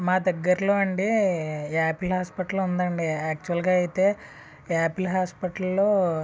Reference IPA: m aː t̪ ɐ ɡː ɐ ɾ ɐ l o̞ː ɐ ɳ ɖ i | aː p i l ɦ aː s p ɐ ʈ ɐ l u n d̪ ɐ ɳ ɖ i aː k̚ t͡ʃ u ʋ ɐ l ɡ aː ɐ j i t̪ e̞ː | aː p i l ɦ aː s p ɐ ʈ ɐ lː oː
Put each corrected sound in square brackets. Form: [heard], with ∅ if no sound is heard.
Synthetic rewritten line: m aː [d̪] ɐ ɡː ɐ ɾ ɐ l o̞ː ɐ ɳ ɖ i | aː p i l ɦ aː s p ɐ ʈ ɐ l u n d̪ ɐ ɳ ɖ i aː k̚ t͡ʃ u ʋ ɐ l ɡ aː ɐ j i t̪ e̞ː | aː p i l ɦ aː s p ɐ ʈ ɐ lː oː